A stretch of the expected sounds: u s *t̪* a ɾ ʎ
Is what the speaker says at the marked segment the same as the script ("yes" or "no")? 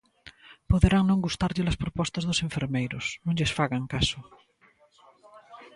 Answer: yes